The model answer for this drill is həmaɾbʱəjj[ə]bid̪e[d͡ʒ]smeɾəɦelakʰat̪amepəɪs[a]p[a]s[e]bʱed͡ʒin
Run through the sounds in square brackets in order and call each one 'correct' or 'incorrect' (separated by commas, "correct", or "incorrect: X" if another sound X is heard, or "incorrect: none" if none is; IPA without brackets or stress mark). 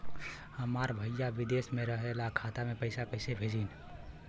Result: incorrect: a, incorrect: none, correct, incorrect: ə, correct